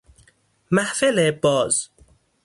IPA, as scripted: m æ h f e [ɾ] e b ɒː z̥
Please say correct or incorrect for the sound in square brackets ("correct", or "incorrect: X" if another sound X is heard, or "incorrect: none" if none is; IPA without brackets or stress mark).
incorrect: l